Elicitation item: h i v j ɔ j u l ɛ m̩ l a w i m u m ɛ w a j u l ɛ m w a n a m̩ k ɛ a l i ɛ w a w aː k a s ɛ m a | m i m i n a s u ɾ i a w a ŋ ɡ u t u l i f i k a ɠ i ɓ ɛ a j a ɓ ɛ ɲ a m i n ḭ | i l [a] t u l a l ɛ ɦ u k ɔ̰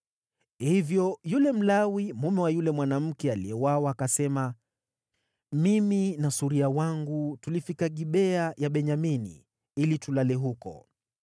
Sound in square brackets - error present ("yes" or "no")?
yes